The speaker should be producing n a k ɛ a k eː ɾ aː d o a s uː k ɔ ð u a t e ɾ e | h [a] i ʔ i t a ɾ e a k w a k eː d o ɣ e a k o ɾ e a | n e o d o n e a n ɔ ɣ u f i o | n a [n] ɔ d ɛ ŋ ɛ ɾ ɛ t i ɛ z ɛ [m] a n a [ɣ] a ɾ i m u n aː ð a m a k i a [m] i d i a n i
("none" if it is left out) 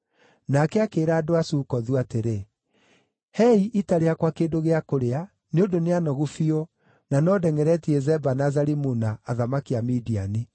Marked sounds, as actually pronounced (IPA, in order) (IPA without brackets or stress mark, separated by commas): ɛ, n, b, z, m